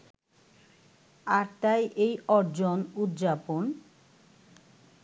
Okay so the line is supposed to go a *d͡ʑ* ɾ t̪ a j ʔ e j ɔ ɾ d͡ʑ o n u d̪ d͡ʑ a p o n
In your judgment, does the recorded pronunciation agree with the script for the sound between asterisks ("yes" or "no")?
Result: no